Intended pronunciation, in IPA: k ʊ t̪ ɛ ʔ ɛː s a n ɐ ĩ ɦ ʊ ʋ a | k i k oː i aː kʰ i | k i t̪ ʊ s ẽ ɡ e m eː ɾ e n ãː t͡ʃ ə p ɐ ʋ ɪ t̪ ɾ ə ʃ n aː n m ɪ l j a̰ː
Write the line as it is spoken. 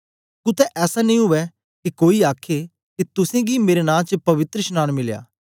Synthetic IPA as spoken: k ʊ t̪ ɛ ʔ ɛː s a n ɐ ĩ ɦ ʊ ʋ ɛ | k i k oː i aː kʰ e | k i t̪ ʊ s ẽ ɡ i m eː ɾ e n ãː t͡ʃ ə p ɐ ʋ ɪ t̪ ɾ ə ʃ n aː n m ɪ l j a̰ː